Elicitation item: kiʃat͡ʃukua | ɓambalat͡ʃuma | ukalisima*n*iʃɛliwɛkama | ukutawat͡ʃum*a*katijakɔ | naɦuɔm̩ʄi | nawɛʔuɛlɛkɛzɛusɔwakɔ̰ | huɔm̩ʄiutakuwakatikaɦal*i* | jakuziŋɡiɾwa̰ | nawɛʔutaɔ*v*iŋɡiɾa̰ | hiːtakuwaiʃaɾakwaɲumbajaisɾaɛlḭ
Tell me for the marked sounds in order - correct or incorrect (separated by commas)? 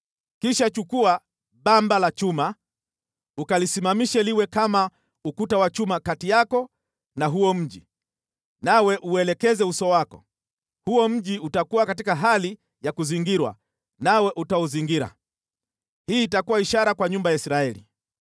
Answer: incorrect, correct, correct, incorrect